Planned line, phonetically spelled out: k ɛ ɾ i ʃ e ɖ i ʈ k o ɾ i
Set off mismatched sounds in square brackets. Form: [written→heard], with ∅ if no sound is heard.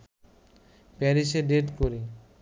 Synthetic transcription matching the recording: [k→p] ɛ ɾ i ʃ e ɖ [i→e] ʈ k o ɾ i